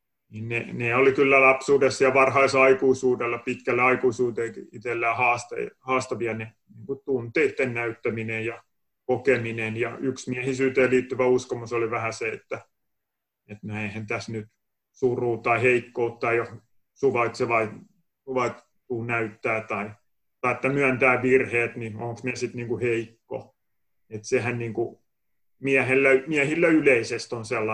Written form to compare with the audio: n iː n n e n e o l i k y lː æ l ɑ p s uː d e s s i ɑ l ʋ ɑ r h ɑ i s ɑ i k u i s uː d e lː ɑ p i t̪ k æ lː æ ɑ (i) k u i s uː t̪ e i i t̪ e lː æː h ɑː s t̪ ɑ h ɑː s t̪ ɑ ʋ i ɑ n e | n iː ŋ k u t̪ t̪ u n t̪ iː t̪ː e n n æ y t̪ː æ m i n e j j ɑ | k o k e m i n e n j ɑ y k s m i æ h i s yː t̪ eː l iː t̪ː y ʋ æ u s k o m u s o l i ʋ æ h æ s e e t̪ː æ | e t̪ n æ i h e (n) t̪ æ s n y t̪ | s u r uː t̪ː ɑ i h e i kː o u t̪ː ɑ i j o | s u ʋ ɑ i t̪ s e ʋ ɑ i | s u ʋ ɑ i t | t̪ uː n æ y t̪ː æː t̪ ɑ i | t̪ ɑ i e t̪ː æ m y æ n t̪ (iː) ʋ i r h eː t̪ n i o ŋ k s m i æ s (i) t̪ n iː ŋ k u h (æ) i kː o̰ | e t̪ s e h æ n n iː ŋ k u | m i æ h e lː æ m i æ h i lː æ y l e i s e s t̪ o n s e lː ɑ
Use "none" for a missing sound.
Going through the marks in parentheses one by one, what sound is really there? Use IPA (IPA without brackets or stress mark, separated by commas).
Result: i, n, æː, i, e